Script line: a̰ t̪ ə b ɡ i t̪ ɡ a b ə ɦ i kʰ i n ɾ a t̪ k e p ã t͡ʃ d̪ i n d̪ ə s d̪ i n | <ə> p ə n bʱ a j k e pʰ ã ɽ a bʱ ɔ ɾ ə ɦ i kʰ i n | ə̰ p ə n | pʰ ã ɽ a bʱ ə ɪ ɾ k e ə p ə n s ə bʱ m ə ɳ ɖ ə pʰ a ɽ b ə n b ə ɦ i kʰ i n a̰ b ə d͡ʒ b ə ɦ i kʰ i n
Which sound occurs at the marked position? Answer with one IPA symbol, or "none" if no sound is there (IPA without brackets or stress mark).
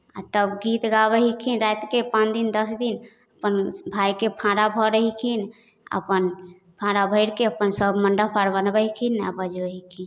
ə